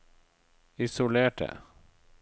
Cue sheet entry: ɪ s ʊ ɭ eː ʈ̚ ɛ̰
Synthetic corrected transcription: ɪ s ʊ l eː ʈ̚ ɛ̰